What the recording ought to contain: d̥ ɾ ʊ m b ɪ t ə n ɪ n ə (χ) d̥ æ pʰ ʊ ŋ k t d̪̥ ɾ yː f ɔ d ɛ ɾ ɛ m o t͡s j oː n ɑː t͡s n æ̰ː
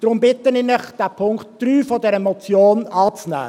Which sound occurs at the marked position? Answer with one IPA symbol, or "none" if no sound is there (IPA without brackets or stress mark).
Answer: χ